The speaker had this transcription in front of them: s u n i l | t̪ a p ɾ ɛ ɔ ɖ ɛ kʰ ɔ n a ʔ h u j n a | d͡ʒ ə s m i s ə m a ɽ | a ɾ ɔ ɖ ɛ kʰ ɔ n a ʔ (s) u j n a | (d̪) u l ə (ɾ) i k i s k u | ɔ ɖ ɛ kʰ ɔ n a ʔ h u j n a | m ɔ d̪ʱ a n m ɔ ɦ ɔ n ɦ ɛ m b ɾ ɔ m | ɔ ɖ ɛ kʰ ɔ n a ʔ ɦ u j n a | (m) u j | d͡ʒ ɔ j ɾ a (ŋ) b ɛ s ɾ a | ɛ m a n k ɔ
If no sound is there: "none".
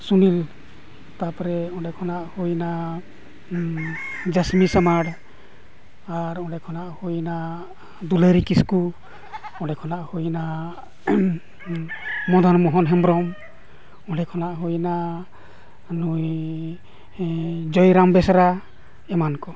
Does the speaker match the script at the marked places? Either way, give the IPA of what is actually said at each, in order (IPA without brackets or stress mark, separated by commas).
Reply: h, d̪, ɾ, n, m